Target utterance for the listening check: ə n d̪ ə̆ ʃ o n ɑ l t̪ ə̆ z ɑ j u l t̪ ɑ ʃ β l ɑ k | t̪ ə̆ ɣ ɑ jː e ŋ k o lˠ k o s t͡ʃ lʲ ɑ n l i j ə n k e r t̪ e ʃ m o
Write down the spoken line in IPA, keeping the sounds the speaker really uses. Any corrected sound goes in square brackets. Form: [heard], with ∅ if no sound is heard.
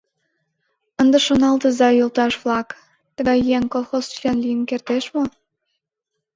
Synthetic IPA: ə n d̪ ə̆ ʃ o n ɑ l t̪ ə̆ z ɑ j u l t̪ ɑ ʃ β l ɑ k | t̪ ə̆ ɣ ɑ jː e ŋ k o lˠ [x] o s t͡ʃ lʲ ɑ n l i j ə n k e r t̪ e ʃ m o